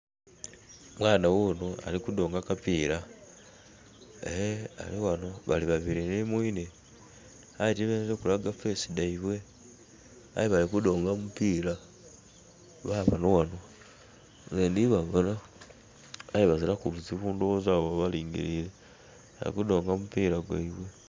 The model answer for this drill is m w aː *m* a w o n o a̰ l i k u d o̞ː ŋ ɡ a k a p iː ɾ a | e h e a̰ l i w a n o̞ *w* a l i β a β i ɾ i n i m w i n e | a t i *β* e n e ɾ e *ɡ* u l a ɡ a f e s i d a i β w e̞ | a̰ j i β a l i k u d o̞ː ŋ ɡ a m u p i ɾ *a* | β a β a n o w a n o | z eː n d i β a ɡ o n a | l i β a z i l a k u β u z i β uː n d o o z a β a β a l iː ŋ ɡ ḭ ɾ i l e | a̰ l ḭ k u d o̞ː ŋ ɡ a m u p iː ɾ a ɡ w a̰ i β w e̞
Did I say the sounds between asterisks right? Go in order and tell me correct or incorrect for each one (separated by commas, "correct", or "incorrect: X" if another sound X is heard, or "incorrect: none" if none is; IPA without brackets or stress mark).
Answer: incorrect: n, incorrect: β, correct, incorrect: k, correct